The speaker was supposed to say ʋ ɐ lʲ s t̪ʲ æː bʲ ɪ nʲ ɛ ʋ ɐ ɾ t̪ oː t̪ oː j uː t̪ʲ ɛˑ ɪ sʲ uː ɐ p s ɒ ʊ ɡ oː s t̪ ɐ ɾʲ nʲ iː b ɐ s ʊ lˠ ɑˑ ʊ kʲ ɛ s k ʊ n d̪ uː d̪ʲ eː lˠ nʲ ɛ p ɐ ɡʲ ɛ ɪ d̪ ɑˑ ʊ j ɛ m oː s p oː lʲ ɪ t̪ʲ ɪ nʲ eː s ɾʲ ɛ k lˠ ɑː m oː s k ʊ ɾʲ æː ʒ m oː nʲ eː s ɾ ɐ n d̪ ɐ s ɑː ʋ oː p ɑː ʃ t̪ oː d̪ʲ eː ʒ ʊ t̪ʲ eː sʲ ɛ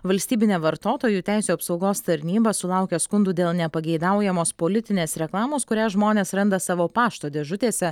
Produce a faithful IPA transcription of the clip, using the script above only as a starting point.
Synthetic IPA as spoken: ʋ ɐ lʲ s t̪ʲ iː bʲ ɪ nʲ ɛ ʋ ɐ ɾ t̪ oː t̪ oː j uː t̪ʲ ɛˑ ɪ sʲ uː ɐ p s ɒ ʊ ɡ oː s t̪ ɐ ɾʲ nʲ iː b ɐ s ʊ lˠ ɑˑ ʊ kʲ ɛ s k ʊ n d̪ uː d̪ʲ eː lˠ nʲ ɛ p ɐ ɡʲ ɛ ɪ d̪ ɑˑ ʊ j ɛ m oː s p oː lʲ ɪ t̪ʲ ɪ nʲ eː s ɾʲ ɛ k lˠ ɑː m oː s k ʊ ɾʲ æː ʒ m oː nʲ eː s ɾ ɐ n d̪ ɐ s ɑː ʋ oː p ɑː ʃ t̪ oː d̪ʲ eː ʒ ʊ t̪ʲ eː sʲ ɛ